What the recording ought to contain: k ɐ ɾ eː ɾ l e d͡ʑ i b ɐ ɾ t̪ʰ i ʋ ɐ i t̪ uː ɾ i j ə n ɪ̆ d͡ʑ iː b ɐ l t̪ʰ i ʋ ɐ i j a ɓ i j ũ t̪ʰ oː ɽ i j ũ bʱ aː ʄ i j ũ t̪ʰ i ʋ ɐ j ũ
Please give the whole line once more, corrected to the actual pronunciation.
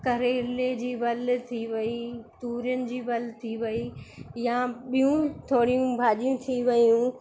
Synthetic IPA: k ɐ ɾ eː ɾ l e d͡ʑ iː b ɐ l t̪ʰ i ʋ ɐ i t̪ uː ɾ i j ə n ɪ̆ d͡ʑ iː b ɐ l t̪ʰ i ʋ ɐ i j a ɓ i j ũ t̪ʰ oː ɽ i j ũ bʱ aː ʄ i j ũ t̪ʰ i ʋ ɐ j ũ